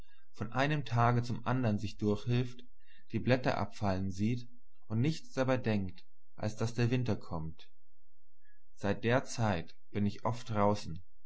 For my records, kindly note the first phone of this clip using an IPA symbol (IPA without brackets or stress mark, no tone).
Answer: f